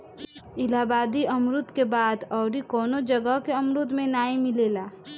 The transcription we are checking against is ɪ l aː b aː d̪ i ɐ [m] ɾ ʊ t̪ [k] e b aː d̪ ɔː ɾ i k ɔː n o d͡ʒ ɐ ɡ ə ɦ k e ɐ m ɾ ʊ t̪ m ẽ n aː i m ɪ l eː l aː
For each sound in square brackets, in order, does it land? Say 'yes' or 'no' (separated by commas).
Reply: yes, yes